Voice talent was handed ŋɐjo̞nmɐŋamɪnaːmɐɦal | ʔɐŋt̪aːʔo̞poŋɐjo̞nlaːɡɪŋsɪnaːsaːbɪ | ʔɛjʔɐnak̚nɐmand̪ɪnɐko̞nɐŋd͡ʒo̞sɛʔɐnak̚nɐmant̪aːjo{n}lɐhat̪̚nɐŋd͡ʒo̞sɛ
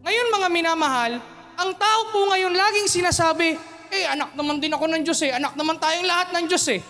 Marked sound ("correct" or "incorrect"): incorrect